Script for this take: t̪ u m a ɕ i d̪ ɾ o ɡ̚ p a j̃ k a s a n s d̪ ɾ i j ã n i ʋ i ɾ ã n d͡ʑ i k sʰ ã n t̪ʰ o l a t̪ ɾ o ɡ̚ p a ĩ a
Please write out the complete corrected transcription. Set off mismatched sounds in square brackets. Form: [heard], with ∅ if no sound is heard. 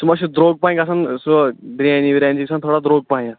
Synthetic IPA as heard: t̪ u m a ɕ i d̪ ɾ o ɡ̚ p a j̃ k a s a n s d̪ ɾ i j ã n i ʋ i ɾ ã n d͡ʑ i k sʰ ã n t̪ʰ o [ɽ] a [d̪] ɾ o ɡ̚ p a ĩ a